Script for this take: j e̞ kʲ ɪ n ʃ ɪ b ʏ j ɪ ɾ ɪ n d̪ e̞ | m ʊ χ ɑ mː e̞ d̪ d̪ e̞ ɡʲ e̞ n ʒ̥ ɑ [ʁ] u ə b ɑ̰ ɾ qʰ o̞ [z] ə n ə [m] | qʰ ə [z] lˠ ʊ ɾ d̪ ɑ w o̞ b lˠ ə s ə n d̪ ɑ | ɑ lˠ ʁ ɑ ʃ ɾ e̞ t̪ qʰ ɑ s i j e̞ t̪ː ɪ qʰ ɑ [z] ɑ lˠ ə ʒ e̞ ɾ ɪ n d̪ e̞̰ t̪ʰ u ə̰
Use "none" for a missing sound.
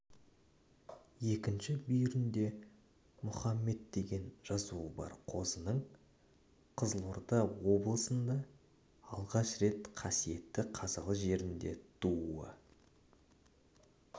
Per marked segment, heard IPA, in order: z, z, ɴ, z, z

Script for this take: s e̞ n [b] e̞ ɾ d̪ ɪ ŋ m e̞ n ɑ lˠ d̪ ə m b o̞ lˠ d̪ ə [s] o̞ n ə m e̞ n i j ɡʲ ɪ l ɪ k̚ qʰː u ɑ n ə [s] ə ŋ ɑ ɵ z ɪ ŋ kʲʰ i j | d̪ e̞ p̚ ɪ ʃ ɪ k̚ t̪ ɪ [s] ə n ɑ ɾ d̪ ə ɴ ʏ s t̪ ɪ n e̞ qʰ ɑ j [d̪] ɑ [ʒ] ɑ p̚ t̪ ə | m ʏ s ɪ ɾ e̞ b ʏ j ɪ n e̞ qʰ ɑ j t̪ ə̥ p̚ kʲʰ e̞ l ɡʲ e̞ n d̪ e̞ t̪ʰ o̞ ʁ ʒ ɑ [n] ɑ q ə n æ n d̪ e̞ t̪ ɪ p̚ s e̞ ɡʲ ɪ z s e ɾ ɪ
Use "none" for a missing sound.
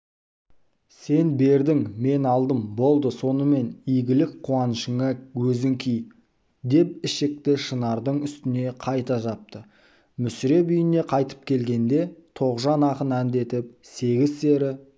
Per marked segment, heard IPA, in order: b, s, ʃ, ʃ, t̪, ʒ, n

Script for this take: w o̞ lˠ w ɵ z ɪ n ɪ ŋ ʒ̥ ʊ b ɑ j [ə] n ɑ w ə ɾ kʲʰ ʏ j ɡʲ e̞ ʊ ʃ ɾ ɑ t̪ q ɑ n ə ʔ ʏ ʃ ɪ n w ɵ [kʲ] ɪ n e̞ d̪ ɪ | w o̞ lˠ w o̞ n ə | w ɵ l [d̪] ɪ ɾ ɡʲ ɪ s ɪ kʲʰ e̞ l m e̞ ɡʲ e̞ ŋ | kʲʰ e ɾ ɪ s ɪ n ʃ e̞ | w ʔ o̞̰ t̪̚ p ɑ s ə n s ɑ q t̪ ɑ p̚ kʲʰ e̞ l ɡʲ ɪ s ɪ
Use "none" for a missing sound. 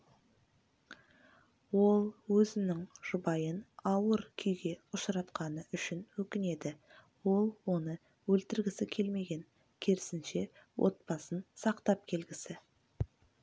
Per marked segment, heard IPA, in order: ə, kʲ, t̪

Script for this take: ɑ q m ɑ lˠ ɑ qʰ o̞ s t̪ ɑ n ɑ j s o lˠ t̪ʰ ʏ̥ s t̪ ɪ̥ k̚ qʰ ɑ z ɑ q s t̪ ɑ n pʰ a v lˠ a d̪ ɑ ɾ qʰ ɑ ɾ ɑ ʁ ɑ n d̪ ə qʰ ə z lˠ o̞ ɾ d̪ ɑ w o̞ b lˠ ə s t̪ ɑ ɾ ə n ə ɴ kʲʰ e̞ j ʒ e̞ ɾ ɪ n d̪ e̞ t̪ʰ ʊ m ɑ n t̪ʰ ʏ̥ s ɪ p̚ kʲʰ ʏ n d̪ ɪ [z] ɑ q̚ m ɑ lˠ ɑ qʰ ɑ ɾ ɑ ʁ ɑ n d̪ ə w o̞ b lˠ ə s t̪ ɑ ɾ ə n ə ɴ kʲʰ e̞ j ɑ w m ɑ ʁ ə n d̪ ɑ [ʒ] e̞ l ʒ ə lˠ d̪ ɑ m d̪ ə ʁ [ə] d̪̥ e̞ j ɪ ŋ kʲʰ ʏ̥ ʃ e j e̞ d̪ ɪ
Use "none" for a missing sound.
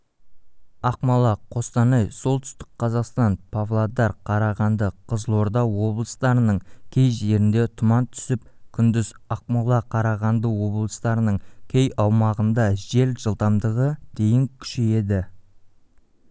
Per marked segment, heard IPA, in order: z, ʒ, ə

